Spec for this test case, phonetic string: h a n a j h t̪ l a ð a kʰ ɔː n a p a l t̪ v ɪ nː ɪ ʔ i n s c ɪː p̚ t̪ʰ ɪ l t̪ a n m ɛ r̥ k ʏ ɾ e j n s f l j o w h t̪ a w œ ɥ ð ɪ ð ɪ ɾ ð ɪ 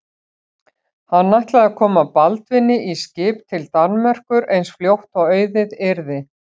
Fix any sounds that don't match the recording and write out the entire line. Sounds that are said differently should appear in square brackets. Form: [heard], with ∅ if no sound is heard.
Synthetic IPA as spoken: h a [nː] a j h t̪ l a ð a kʰ ɔː [m] a p a l t̪ v ɪ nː ɪ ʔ i [∅] s c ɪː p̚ t̪ʰ ɪ l t̪ a n m ɛ r̥ k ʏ ɾ e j n s f l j o w h t̪ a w œ ɥ ð ɪ ð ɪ ɾ ð ɪ